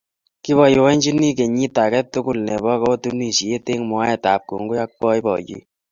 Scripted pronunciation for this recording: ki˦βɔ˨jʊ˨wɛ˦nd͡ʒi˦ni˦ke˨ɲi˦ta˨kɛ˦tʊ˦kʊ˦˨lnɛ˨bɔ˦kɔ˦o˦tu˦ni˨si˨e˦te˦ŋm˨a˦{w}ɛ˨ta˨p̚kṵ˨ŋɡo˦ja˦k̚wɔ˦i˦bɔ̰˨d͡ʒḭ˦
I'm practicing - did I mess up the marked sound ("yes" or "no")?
yes